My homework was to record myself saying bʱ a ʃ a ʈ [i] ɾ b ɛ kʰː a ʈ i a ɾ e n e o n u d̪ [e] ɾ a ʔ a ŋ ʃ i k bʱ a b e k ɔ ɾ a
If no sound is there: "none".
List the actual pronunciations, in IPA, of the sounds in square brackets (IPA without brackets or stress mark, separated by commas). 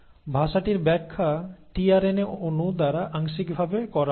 i, a